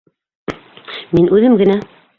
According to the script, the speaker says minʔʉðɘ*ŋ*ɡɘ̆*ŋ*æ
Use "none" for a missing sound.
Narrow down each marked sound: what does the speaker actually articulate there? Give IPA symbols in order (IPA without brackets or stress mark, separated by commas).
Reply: m, n